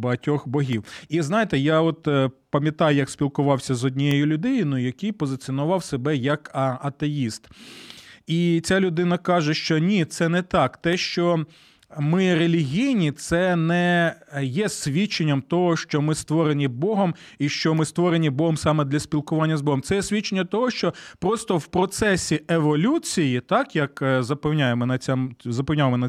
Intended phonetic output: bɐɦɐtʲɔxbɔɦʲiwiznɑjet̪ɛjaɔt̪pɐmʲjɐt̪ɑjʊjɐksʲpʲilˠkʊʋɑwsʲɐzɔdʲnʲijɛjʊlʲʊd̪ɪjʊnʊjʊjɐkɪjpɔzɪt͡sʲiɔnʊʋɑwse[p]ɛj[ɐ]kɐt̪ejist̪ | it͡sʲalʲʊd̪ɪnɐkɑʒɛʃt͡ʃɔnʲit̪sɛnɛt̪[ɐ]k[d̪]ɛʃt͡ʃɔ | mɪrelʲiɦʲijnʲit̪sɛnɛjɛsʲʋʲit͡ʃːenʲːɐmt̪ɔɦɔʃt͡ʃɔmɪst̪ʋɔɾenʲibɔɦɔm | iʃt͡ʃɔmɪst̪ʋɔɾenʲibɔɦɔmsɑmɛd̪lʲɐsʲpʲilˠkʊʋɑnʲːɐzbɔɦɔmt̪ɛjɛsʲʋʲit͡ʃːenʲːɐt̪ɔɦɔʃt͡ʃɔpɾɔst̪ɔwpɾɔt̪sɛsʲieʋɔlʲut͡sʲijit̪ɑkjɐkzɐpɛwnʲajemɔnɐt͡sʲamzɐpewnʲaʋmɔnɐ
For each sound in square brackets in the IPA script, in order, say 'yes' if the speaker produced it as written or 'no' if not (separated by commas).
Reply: no, yes, no, no